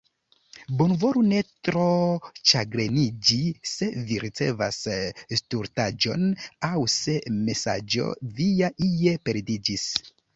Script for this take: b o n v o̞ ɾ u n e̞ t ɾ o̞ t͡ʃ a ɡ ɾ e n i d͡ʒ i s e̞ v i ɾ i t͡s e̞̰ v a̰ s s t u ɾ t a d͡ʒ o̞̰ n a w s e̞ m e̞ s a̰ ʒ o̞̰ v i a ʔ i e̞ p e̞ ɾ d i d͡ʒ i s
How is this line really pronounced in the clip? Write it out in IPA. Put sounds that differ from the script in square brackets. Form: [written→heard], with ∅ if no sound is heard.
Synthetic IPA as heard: b o n v o̞ ɾ u n e̞ t ɾ o̞ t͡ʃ a ɡ ɾ e n i d͡ʒ i s e̞ v i ɾ i t͡s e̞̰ v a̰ s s t u ɾ t a d͡ʒ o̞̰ n a w s e̞ m e̞ s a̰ [ʒ→d͡ʒ] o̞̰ v i a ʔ i e̞ p e̞ ɾ d i d͡ʒ i s